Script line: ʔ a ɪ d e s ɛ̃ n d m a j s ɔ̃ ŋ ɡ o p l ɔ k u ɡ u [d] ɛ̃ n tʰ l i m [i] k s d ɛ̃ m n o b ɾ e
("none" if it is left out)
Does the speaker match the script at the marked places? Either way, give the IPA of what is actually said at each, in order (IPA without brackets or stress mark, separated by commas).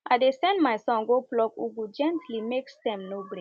d͡ʒ, e